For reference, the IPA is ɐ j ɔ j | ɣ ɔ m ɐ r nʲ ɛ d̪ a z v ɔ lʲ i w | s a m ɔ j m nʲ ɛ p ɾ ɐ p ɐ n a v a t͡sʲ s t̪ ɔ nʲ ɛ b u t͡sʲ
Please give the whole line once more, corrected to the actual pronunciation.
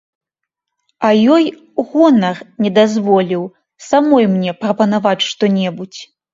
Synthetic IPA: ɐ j ɔ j | ɣ ɔ n ɐ r nʲ ɛ d̪ a z v ɔ lʲ i w | s a m ɔ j m nʲ ɛ p ɾ ɐ p ɐ n a v a t͡sʲ ʂ t̪ ɔ nʲ ɛ b u t͡sʲ

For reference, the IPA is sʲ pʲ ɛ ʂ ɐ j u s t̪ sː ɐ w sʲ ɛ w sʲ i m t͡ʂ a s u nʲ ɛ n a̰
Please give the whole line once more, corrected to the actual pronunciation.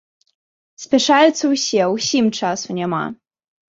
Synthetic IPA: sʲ pʲ ɛ ʂ a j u t̪ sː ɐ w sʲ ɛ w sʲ i m t͡ʂ a s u nʲ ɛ m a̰

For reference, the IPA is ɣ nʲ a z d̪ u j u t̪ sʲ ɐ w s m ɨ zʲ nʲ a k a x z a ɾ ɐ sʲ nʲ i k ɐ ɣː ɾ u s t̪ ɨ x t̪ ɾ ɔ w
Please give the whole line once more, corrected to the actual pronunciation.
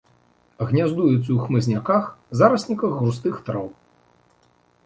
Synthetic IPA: ɣ nʲ a z d̪ u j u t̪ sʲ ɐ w x m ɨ zʲ nʲ a k a x z a ɾ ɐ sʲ nʲ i k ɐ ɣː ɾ u s t̪ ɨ x t̪ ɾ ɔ w

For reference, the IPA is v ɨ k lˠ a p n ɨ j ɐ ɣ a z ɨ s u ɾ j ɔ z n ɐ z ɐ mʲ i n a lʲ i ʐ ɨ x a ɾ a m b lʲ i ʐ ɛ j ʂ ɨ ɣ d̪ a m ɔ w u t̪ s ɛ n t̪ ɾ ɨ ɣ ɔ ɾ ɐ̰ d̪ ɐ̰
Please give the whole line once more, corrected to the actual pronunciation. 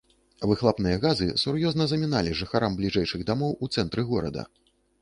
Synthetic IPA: v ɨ x lˠ a p n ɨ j ɐ ɣ a z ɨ s u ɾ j ɔ z n ɐ z ɐ mʲ i n a lʲ i ʐ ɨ x a ɾ a m b lʲ i ʐ ɛ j ʂ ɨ ɣ d̪ a m ɔ w u t̪ s ɛ n t̪ ɾ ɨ ɣ ɔ ɾ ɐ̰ d̪ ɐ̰

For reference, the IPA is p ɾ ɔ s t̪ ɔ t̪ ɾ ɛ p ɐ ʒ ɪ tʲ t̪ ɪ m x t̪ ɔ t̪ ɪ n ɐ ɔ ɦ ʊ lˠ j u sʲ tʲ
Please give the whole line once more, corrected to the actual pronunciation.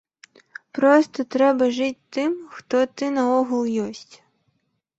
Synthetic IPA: p ɾ ɔ s t̪ ɔ t̪ ɾ ɛ b ɐ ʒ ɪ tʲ t̪ ɪ m x t̪ ɔ t̪ ɪ n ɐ ɔ ɦ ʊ lˠ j ɔ sʲ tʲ

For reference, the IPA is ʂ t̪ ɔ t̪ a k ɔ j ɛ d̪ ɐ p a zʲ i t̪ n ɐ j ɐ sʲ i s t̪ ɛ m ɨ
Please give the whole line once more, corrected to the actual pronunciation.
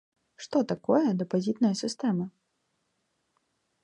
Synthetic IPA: ʂ t̪ ɔ t̪ a k ɔ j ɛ d̪ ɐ p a zʲ i t̪ n ɐ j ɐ sʲ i s t̪ ɛ m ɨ

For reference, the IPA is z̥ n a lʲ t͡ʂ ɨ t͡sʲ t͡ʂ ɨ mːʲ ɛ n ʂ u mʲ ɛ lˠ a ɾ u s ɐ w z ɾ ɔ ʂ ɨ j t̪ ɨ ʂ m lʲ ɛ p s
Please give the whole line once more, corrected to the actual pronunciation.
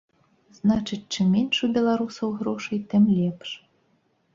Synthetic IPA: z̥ n a t͡ʂ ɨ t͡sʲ t͡ʂ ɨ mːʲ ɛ n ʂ u bʲ ɛ lˠ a ɾ u s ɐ w ɣ ɾ ɔ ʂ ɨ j t̪ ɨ m lʲ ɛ p ʂ

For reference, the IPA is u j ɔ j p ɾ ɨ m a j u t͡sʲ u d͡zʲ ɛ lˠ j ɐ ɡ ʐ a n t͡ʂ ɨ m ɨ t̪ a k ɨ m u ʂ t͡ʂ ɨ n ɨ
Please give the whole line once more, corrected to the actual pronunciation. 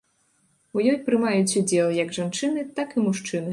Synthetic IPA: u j ɔ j p ɾ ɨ m a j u t͡sʲ u d͡zʲ ɛ lˠ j ɐ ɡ ʐ a n t͡ʂ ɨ n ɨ t̪ a k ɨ m u ʂ t͡ʂ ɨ n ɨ

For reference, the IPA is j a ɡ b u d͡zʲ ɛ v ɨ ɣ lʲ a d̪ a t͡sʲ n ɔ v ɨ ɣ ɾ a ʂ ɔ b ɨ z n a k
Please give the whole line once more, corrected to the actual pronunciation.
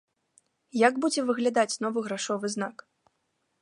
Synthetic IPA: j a ɡ b u d͡zʲ ɛ v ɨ ɣ lʲ a d̪ a t͡sʲ n ɔ v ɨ ɣ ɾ a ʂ ɔ v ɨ z n a k

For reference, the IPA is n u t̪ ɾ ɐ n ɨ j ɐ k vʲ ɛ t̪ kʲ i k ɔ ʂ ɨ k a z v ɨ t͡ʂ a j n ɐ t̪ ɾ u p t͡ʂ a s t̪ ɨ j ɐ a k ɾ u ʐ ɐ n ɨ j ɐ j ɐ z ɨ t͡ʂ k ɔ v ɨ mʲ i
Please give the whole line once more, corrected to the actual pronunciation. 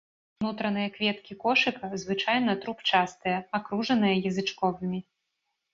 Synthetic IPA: n u t̪ ɾ ɐ n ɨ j ɐ k vʲ ɛ t̪ kʲ i k ɔ ʂ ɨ k ɐ z v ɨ t͡ʂ a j n ɐ t̪ ɾ u p t͡ʂ a s t̪ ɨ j ɐ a k ɾ u ʐ ɐ n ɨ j ɐ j ɐ z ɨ t͡ʂ k ɔ v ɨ mʲ i

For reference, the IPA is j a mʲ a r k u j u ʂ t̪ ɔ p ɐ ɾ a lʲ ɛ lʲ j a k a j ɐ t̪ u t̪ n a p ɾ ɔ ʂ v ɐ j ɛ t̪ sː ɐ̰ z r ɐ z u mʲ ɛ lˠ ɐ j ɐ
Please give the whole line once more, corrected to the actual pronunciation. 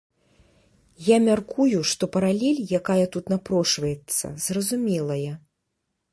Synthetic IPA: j a mʲ a r k u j u ʂ t̪ ɔ p ɐ ɾ a lʲ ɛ lʲ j a k a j ɐ t̪ u t̪ n a p ɾ ɔ ʂ v ɐ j ɛ t̪ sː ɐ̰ z r ɐ z u mʲ ɛ lˠ ɐ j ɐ

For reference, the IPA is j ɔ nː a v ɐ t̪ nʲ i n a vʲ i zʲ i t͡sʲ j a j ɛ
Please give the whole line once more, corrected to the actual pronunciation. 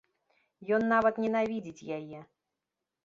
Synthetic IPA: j ɔ nː a v ɐ t̪ nʲ ɛ n a vʲ i d͡zʲ i t͡sʲ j a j ɛ

